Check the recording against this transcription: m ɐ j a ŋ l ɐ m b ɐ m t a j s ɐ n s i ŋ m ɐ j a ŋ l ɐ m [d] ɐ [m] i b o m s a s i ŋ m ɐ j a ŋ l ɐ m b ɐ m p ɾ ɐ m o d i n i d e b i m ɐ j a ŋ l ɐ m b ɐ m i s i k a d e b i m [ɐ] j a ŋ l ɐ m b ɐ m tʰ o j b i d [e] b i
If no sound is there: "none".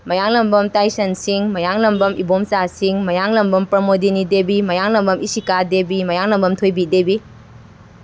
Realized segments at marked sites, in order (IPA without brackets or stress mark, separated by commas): b, m, ɐ, e